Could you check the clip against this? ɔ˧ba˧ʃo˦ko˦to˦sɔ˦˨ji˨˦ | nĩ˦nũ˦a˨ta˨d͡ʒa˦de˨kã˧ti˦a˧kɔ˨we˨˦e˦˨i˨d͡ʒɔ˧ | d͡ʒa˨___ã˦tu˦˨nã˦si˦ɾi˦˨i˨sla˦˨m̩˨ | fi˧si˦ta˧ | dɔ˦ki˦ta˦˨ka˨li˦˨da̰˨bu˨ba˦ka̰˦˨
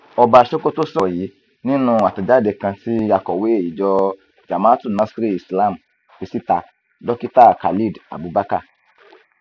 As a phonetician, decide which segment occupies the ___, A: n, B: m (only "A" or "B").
B